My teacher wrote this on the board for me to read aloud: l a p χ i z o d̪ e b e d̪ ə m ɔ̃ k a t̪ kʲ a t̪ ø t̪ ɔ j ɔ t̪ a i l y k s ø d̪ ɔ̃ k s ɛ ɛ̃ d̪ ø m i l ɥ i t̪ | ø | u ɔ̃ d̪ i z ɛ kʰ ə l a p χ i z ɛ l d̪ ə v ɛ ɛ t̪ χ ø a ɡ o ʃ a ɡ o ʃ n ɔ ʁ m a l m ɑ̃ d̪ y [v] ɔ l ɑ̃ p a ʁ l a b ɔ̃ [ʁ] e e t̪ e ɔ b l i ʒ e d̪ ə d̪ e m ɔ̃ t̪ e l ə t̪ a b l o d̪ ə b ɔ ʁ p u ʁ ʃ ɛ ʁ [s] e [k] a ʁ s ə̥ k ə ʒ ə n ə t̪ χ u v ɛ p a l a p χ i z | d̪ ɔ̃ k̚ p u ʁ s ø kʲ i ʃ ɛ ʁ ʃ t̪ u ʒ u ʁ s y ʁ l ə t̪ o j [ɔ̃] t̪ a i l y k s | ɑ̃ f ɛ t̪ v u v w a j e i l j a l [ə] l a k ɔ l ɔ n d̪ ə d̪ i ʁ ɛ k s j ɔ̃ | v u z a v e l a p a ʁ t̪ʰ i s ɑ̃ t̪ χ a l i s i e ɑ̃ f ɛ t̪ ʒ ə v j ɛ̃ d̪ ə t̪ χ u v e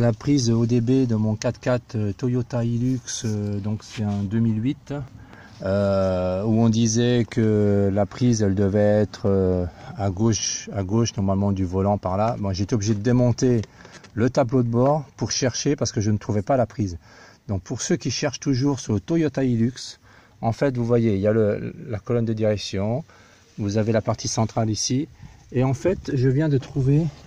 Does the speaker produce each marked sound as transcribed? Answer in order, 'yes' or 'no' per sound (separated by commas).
yes, no, no, no, no, yes